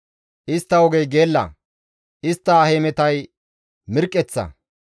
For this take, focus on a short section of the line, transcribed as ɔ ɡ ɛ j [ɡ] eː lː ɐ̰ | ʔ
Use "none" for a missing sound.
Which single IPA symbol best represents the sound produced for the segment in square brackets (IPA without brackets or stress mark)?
ɡ